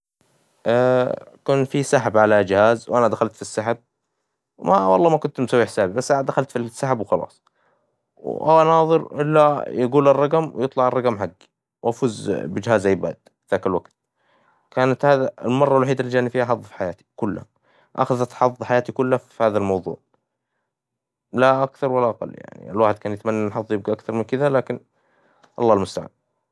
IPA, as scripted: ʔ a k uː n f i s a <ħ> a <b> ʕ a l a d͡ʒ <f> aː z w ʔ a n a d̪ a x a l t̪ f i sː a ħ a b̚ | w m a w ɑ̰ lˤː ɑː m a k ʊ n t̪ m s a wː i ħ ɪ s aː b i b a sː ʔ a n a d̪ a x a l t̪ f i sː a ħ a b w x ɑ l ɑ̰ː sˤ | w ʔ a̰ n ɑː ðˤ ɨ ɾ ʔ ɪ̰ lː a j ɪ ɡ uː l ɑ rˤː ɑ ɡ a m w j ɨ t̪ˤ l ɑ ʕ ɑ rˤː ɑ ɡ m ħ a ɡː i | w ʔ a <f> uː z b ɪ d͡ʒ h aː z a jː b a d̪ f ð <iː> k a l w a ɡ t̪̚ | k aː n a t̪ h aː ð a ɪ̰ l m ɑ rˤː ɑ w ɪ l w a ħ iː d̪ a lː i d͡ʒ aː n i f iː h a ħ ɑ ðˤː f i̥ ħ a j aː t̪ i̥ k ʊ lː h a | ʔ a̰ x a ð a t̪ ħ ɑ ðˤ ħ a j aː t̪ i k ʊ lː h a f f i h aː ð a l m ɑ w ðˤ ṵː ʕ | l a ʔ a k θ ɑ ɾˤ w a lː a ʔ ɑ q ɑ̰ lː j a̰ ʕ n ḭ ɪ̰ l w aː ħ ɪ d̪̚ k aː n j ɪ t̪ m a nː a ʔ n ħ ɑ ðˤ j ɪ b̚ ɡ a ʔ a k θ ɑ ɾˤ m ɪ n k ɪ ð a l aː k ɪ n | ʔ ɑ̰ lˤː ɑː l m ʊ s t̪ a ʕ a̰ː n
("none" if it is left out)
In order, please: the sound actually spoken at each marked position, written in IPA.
ħ, b, h, f, aː

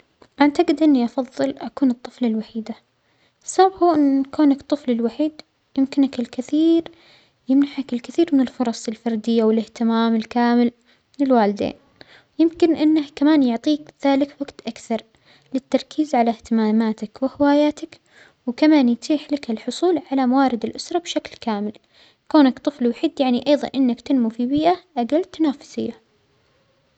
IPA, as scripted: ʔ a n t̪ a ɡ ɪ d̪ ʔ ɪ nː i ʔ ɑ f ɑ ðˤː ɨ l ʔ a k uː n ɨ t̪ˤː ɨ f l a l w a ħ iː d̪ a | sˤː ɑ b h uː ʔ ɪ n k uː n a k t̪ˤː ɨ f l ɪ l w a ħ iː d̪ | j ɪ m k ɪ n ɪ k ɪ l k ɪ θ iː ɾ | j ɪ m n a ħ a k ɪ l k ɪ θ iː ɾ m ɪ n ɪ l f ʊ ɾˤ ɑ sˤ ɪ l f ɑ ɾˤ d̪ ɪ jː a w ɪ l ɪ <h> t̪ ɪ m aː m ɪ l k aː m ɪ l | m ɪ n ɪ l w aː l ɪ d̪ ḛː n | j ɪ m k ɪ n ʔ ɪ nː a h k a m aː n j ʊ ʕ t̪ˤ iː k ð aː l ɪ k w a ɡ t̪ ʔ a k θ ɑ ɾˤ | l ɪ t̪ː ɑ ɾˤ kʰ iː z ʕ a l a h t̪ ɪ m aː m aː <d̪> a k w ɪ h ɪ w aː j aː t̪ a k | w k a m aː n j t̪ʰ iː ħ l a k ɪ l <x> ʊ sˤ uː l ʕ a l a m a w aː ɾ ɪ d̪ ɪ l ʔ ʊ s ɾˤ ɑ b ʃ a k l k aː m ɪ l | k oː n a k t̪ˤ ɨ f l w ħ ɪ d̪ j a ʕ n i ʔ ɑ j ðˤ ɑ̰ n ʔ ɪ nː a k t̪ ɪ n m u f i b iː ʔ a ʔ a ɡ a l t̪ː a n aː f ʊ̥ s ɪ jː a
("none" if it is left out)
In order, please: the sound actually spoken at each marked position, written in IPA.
h, t̪, ħ

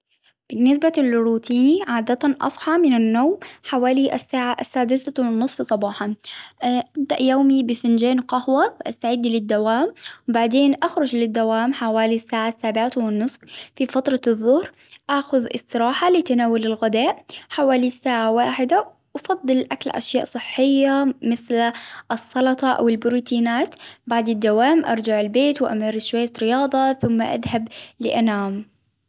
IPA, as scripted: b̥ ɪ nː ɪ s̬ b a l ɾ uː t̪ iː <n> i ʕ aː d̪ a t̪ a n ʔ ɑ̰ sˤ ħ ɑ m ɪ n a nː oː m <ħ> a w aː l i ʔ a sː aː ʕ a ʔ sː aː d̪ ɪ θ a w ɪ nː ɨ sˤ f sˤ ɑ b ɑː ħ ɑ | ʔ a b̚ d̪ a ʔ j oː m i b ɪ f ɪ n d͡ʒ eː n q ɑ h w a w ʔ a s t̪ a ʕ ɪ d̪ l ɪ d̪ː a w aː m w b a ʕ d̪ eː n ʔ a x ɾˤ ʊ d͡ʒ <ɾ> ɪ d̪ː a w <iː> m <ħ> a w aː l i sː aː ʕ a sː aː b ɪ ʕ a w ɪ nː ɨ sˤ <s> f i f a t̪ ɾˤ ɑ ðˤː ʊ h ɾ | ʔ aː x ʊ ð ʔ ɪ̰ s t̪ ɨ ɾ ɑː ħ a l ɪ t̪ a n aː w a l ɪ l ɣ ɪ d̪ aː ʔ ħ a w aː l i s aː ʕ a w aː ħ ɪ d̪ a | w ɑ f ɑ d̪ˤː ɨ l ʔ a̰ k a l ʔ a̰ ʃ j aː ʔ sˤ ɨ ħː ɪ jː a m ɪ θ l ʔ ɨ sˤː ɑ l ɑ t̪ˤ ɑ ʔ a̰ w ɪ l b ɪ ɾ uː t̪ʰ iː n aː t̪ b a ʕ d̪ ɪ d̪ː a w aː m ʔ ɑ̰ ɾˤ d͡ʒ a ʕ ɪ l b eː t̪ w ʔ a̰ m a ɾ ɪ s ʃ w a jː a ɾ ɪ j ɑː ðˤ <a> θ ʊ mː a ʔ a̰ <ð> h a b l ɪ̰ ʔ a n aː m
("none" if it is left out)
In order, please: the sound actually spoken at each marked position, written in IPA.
n, ħ, l, aː, ħ, f, ɑ, ð

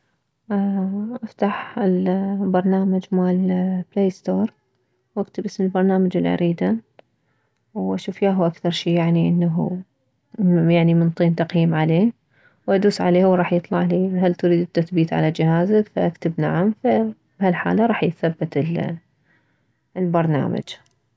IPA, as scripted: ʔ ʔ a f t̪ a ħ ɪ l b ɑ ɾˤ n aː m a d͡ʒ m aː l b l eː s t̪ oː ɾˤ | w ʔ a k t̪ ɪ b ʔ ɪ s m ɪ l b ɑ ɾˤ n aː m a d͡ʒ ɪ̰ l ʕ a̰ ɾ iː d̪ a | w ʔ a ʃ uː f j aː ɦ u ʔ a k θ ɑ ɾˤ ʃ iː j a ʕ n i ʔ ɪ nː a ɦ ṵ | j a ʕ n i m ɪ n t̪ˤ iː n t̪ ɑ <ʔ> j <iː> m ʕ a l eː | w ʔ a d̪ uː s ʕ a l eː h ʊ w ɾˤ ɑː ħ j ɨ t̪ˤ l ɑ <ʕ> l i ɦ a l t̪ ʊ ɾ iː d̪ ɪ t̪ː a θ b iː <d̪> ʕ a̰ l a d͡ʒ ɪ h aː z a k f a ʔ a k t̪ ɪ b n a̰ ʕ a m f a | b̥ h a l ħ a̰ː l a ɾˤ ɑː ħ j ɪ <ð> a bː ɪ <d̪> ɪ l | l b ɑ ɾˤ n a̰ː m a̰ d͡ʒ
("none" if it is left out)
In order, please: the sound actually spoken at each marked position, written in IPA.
q, iː, ʕ, t̪, θ, t̪

